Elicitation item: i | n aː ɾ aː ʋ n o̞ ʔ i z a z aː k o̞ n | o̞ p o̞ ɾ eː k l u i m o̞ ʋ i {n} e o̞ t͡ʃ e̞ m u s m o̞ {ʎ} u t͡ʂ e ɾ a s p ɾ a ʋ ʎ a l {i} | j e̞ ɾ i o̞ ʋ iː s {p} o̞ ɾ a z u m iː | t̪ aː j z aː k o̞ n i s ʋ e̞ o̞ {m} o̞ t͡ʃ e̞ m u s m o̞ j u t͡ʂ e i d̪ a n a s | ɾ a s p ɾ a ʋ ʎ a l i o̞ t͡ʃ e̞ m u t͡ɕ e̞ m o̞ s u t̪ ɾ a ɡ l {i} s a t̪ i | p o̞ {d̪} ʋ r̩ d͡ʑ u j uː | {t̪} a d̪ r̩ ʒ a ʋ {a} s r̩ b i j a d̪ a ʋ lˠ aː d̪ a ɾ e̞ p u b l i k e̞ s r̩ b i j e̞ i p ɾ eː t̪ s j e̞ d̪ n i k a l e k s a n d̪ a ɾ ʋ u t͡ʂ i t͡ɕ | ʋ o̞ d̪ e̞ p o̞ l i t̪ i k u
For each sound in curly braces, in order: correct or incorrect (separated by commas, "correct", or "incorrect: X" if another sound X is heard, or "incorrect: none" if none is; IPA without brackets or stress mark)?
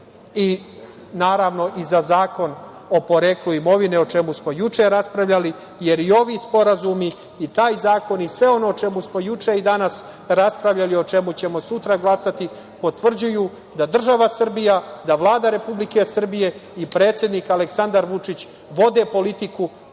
correct, incorrect: j, correct, correct, incorrect: n, incorrect: a, incorrect: t̪, incorrect: d̪, correct